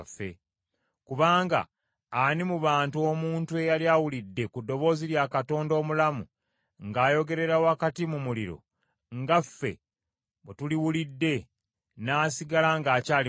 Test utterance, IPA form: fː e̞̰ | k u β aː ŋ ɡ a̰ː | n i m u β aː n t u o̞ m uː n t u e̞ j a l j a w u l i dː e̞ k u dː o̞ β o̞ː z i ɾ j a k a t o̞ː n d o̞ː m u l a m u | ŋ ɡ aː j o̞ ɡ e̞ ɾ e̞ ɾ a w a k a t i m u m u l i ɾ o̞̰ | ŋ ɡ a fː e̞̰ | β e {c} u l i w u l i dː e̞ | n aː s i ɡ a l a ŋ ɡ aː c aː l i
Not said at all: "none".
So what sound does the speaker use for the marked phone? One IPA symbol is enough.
t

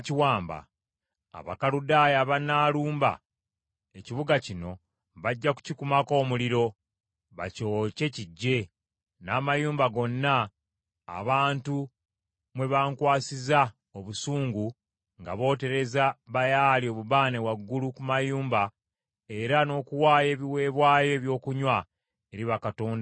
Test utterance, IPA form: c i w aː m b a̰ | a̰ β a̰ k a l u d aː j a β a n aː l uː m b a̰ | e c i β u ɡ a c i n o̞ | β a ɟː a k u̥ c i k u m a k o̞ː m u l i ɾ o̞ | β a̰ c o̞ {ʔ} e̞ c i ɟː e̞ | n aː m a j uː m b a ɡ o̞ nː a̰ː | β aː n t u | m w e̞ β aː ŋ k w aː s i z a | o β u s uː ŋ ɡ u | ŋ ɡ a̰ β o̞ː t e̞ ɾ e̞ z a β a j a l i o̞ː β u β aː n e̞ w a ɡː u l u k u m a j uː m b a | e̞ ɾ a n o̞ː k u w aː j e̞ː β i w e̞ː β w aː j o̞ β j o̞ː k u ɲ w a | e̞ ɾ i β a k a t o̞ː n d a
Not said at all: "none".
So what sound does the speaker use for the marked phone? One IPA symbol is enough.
c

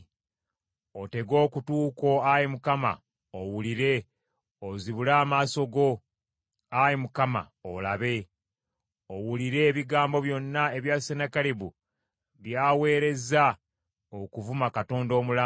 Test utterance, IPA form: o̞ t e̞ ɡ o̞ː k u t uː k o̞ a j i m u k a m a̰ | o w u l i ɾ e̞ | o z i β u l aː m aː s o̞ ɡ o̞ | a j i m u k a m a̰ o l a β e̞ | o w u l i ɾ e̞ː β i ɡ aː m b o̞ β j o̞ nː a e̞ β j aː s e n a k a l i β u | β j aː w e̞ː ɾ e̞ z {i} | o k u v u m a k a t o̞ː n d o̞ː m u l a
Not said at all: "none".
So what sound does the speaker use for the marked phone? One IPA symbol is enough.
a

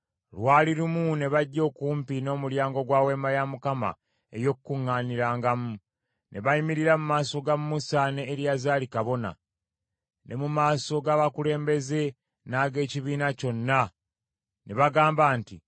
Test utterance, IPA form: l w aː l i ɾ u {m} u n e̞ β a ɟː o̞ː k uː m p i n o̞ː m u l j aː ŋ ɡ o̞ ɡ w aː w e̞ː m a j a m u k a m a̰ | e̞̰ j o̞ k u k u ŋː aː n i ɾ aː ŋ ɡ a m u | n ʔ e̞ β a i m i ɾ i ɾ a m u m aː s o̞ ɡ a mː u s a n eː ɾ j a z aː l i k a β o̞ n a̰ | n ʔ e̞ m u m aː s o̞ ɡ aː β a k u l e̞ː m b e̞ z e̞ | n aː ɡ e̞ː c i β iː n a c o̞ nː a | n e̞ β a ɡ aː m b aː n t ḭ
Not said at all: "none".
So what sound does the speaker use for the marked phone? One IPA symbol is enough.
m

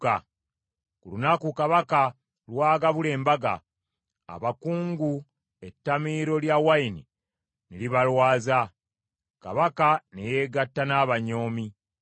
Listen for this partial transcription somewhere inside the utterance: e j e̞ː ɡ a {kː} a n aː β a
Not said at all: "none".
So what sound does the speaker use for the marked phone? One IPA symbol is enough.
tː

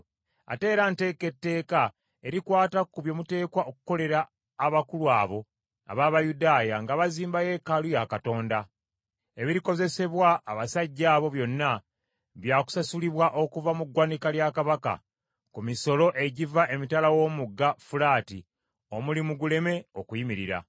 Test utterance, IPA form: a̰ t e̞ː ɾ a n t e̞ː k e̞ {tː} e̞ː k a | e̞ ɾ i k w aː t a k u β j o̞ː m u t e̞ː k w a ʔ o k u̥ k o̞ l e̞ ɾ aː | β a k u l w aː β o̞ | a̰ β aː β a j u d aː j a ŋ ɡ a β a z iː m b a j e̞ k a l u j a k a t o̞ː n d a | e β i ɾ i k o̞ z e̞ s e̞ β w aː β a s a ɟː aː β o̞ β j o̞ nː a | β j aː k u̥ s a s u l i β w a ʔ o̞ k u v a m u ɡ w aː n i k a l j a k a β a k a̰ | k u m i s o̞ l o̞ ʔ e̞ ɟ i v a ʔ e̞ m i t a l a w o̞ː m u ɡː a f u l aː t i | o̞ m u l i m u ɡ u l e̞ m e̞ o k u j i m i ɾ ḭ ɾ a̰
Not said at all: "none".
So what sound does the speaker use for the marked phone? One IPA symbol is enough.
tː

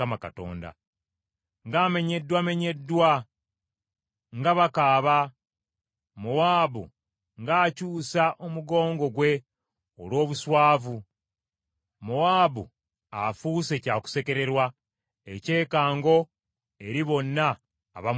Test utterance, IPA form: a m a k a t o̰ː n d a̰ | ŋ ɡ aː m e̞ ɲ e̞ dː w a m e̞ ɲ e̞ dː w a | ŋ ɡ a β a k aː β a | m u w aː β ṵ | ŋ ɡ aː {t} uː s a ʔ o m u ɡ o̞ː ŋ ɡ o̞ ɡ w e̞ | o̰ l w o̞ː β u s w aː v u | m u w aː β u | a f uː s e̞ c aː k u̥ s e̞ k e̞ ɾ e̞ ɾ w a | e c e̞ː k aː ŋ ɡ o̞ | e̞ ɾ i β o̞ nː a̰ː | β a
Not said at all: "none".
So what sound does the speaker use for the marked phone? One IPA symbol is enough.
c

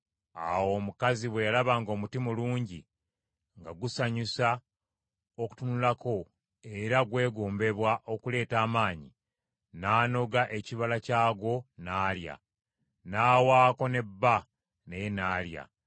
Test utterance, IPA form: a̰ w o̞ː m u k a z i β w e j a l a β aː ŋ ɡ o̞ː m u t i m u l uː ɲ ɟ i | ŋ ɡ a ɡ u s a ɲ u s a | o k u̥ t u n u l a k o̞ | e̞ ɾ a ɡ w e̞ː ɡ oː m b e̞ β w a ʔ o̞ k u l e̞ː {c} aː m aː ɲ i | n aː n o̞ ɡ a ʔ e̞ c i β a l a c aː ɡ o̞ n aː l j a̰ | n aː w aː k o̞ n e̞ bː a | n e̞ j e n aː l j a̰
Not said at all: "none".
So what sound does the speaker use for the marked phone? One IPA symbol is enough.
t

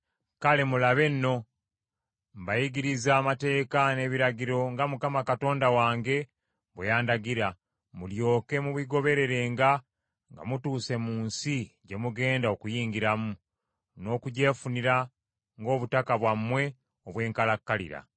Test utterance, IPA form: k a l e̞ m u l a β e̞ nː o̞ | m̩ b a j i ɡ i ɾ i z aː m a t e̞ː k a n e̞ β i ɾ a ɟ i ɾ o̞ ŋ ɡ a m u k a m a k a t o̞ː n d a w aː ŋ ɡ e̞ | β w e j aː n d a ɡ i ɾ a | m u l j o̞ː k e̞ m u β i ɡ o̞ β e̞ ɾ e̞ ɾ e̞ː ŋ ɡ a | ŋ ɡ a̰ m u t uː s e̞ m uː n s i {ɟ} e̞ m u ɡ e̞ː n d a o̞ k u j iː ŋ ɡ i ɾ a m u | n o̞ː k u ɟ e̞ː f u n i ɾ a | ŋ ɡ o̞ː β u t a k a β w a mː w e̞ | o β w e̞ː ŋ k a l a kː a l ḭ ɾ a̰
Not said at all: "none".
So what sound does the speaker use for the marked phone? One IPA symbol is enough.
ɟ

